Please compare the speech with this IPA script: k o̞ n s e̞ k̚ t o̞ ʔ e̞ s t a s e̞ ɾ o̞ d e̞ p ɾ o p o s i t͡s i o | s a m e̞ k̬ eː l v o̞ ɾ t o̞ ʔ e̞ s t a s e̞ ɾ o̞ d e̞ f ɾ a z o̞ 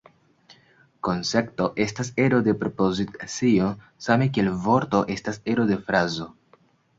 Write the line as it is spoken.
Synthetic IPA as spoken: k o̞ n s e̞ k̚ t o̞ ʔ e̞ s t a s e̞ ɾ o̞ d e̞ p ɾ o p o z i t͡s i o | s a m e̞ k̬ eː l v o̞ ɾ t o̞ ʔ e̞ s t a s e̞ ɾ o̞ d e̞ f ɾ a z o̞